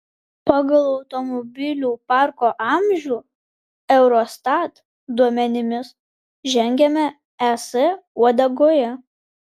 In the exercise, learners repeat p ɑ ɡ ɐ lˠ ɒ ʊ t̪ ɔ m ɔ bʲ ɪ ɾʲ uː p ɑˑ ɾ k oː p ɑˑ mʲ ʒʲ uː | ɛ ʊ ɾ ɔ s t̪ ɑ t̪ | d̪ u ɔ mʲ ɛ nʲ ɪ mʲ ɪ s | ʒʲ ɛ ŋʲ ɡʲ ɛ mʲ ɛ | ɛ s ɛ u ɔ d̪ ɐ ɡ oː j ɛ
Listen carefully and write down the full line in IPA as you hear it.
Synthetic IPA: p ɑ ɡ ɐ lˠ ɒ ʊ t̪ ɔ m ɔ bʲ ɪ lʲ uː p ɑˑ ɾ k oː ʔ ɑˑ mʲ ʒʲ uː | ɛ ʊ ɾ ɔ s t̪ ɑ t̪ | d̪ u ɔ mʲ ɛ nʲ ɪ mʲ ɪ s | ʒʲ ɛ ŋʲ ɡʲ ɛ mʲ ɛ | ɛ s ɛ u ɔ d̪ ɐ ɡ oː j ɛ